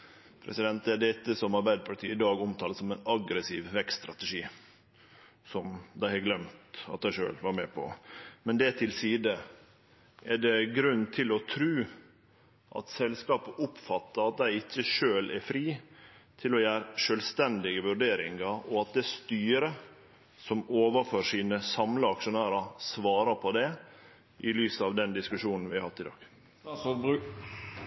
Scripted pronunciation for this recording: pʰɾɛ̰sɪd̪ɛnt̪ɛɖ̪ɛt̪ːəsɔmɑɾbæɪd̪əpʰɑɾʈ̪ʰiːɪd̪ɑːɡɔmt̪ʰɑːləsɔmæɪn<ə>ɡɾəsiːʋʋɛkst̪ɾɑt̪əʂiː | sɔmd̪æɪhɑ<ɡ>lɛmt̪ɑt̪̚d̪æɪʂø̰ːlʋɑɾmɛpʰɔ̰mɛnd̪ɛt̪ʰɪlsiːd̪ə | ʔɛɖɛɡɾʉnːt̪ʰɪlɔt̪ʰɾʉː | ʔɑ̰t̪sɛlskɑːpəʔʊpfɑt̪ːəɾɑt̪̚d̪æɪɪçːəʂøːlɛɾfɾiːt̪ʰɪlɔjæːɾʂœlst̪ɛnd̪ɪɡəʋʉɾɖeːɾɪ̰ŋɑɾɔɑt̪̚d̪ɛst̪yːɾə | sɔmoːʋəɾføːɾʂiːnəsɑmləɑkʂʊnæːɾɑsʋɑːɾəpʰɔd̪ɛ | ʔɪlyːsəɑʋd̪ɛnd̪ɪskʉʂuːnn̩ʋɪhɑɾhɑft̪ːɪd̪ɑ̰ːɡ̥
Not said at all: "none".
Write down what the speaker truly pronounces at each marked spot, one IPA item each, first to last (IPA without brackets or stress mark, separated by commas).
ɑ, ɡ